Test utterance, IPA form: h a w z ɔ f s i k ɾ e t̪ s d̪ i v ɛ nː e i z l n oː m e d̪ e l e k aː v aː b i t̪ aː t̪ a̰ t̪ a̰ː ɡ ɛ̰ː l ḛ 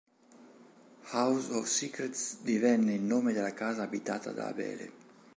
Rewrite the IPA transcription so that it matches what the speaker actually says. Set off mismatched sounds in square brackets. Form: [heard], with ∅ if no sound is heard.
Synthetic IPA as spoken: h a w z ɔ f s i k ɾ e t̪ s d̪ i v ɛ nː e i [∅] l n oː m e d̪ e l [a] k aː [z] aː b i t̪ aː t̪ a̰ [d̪] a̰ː [b] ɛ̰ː l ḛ

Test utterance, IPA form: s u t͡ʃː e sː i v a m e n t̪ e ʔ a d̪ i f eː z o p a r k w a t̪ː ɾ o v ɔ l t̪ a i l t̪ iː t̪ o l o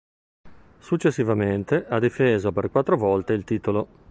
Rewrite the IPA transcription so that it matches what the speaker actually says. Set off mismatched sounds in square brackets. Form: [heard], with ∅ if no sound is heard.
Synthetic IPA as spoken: s u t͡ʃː e sː i v a m e n t̪ e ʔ a d̪ i f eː z o p [e] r k w a t̪ː ɾ o v ɔ l t̪ [e] i l t̪ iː t̪ o l o

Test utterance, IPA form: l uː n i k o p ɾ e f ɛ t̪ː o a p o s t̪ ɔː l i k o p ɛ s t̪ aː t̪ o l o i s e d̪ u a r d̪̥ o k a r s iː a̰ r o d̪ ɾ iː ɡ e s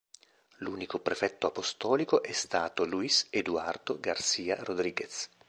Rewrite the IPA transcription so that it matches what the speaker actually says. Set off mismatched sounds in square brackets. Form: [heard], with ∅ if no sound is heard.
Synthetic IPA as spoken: l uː n i k o p ɾ e f ɛ t̪ː o a p o s t̪ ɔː l i k o [ʔ] ɛ s t̪ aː t̪ o l [u] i s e d̪ u a r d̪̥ o [ɡ] a r s iː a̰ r o d̪ ɾ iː ɡ e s

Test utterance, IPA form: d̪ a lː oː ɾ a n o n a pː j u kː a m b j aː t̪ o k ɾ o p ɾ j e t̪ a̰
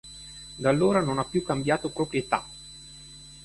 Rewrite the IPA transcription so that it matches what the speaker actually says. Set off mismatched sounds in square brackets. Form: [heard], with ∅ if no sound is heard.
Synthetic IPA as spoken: d̪ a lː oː ɾ a n o n a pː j u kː a m b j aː t̪ o [p] ɾ o p ɾ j e t̪ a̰

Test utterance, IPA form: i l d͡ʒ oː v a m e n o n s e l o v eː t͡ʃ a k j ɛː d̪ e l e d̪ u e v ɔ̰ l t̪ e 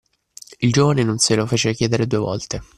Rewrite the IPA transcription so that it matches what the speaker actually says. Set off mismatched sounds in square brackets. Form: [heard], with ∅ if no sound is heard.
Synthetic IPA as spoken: i l d͡ʒ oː v a [n] e n o n s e l o [f] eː t͡ʃ [e] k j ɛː d̪ e [ɾ] e d̪ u e v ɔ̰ l t̪ e

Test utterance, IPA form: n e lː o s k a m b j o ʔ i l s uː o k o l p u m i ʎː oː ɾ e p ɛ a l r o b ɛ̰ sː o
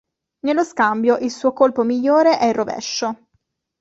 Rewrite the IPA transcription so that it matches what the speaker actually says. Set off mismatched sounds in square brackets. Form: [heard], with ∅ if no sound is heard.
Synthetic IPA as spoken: n e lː o s k a m b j o ʔ i l s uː o k o l p [o] m i ʎː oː ɾ e [ʔ] ɛ [i] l r o [v] ɛ̰ [ʃː] o

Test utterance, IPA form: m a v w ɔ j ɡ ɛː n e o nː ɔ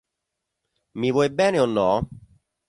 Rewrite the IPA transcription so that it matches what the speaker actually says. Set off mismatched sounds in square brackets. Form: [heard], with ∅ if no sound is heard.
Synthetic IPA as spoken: m [i] v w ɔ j [b] ɛː n e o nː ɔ

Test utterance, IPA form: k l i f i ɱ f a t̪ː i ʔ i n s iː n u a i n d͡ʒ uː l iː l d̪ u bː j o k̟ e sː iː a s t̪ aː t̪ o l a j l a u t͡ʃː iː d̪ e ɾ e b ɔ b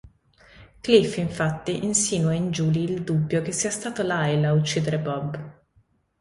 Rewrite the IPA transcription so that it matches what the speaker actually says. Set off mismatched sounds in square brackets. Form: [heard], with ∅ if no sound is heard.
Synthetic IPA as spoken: k l i f i ɱ f a t̪ː i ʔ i n s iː n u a i n d͡ʒ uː l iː l d̪ u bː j o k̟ e sː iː a s t̪ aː t̪ o l a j l a u t͡ʃː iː d̪ e ɾ e b ɔ b

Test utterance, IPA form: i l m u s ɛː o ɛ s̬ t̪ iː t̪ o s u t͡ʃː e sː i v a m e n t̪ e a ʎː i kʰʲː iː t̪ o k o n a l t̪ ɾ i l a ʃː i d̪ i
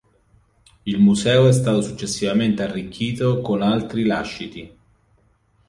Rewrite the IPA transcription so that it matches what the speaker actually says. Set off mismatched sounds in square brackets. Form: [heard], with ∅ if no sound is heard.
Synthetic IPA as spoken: i l m u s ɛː o ɛ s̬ t̪ [aː] t̪ o s u t͡ʃː e sː i v a m e n t̪ e a [rː] i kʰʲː iː t̪ o k o n a l t̪ ɾ i l a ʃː i [t̪] i

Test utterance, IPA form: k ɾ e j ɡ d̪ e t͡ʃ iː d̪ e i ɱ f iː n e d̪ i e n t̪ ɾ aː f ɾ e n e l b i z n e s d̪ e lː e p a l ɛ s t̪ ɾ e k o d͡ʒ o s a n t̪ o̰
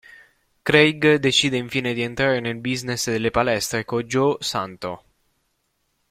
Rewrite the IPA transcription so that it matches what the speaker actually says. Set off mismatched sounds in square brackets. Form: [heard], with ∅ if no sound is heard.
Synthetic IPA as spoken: k ɾ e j ɡ d̪ e t͡ʃ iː d̪ e i ɱ f iː n e d̪ i e n t̪ ɾ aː [∅] ɾ e n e l b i z n e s d̪ e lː e p a l ɛ s t̪ ɾ e k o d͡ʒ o s a n t̪ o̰

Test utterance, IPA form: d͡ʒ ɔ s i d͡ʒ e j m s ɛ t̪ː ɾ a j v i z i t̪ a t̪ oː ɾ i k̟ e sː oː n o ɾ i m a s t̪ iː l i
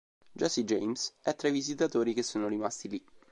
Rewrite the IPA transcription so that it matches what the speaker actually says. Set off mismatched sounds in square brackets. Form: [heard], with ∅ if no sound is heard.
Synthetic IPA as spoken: d͡ʒ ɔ s i d͡ʒ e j m s ɛ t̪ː ɾ a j v i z i t̪ a t̪ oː ɾ i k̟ e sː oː n o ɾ i m a s t̪ [i] l i

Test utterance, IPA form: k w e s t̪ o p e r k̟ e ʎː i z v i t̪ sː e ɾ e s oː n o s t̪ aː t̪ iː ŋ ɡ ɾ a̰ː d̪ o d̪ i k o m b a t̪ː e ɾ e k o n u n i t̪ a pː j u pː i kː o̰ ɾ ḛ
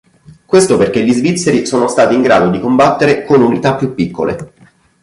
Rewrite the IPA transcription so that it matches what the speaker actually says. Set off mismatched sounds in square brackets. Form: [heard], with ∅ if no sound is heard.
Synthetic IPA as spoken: k w e s t̪ o p e r k̟ e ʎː i z v i t̪ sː e ɾ [i] s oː n o s t̪ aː t̪ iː ŋ ɡ ɾ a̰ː d̪ o d̪ i k o m b a t̪ː e ɾ e k o n u n i t̪ a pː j u pː i kː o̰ [l] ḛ

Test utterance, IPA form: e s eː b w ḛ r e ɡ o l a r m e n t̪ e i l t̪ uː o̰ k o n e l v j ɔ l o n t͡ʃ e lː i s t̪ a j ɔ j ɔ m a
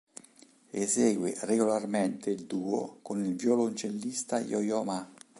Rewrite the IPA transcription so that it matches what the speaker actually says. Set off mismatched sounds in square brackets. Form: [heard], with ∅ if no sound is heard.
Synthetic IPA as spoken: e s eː [ɡ] w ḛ r e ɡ o l a r m e n t̪ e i l [d̪] uː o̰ k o n [i] l v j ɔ l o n t͡ʃ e lː i s t̪ a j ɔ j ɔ m a

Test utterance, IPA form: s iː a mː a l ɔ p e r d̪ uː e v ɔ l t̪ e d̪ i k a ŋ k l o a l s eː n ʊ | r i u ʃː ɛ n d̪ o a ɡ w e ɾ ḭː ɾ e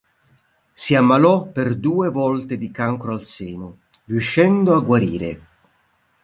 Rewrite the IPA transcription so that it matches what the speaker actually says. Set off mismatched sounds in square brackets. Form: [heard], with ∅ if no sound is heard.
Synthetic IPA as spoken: s [i] a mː a l ɔ p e r d̪ uː e v ɔ l t̪ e d̪ i k a ŋ k [ɾ] o a l s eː n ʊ | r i u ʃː ɛ n d̪ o a ɡ w [a] ɾ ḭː ɾ e

